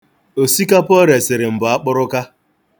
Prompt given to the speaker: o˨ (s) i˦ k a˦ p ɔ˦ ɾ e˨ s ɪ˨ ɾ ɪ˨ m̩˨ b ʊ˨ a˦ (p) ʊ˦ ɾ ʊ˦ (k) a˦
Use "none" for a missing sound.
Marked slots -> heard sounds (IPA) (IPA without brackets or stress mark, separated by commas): s, k͡p, k